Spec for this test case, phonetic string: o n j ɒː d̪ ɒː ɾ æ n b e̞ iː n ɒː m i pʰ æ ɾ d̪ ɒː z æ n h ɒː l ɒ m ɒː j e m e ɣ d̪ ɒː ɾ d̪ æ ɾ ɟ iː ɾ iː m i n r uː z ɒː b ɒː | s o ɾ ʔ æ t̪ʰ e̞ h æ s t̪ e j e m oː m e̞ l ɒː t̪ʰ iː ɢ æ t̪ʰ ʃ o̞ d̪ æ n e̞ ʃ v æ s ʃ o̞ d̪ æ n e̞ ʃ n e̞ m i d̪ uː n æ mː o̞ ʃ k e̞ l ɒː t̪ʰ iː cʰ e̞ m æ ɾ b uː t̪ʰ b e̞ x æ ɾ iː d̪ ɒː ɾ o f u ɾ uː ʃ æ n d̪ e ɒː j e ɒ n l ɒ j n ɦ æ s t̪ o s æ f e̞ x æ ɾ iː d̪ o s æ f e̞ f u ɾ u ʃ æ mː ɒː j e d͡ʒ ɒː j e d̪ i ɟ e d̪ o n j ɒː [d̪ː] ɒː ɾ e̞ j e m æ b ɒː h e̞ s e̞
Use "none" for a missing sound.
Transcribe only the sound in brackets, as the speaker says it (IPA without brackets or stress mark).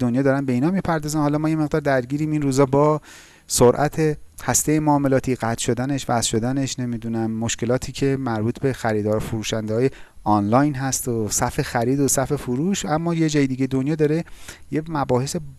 d̪